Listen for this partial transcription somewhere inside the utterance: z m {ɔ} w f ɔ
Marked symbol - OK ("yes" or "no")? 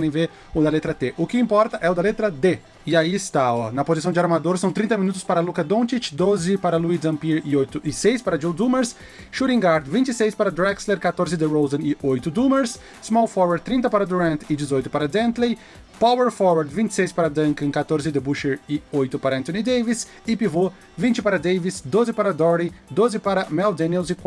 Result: yes